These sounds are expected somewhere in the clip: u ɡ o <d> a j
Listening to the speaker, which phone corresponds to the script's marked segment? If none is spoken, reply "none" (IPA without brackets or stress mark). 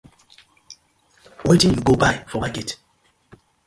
b